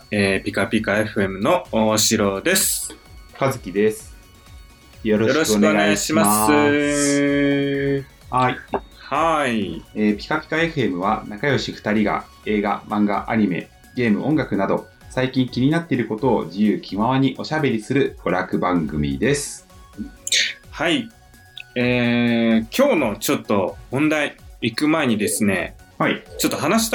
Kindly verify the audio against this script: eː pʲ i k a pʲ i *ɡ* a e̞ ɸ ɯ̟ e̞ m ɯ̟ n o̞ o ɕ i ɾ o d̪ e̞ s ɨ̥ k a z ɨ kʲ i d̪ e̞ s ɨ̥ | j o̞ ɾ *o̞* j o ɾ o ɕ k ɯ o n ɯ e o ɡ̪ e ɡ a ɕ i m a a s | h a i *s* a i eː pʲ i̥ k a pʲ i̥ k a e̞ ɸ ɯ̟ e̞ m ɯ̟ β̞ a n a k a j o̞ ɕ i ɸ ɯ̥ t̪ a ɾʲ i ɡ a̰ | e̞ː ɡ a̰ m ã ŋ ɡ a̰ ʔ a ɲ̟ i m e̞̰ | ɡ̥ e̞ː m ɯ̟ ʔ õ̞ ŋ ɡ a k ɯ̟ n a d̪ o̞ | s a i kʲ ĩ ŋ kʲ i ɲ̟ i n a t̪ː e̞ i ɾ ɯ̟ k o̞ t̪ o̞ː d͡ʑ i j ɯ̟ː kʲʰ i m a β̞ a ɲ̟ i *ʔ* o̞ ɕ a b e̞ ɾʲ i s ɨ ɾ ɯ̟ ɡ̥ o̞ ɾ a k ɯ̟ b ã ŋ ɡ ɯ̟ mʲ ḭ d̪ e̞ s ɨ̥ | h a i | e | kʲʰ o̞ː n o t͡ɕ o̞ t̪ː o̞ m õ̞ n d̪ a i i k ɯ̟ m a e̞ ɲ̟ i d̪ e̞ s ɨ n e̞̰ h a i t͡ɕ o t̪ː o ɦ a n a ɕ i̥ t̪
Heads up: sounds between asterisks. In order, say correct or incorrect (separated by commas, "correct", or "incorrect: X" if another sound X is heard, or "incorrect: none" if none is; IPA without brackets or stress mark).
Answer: incorrect: k, correct, incorrect: h, correct